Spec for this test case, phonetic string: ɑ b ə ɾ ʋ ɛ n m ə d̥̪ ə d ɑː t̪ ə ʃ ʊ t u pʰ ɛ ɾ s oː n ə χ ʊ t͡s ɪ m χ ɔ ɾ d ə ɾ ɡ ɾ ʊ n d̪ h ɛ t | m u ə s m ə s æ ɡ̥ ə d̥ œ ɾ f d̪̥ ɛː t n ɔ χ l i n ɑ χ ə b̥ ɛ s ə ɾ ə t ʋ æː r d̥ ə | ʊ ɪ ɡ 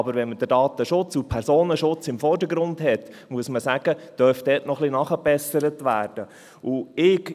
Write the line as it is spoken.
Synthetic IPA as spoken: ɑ b ə ɾ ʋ ɛ n m ə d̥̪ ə d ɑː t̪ ə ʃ ʊ t͡s u pʰ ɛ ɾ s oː n ə ʃ ʊ t͡s ɪ m f ɔ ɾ d ə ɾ ɡ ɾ ʊ n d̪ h ɛ t | m u ə s m ə s æ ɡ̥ ə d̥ œ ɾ f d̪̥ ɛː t n ɔ χ l i n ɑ χ ə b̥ ɛ s ə ɾ ə t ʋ æː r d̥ ə | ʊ ɪ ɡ